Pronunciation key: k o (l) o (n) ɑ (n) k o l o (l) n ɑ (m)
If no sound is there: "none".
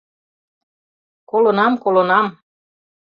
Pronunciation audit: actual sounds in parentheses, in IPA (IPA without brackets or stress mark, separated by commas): l, n, m, none, m